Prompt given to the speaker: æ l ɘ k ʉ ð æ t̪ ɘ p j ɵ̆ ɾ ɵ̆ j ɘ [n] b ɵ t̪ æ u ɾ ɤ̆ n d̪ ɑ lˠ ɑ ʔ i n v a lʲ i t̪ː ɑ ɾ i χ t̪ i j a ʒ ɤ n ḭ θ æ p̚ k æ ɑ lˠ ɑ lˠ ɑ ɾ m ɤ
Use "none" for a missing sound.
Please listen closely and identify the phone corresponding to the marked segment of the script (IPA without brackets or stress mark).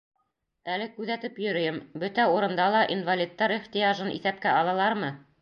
m